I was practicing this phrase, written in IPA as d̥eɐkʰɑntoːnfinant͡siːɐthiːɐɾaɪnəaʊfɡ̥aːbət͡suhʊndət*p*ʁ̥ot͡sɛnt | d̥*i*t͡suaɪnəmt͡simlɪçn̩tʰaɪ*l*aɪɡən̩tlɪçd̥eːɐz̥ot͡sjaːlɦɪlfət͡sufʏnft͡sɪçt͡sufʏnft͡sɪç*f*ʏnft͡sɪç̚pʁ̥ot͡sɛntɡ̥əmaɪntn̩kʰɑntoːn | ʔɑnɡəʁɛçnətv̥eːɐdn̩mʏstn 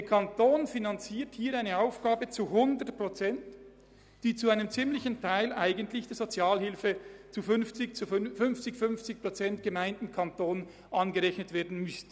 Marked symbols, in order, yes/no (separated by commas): yes, no, yes, yes